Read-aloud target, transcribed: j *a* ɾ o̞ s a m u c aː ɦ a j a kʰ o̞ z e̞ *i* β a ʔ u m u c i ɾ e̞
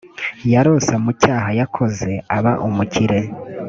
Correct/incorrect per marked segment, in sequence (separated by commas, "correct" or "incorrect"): correct, incorrect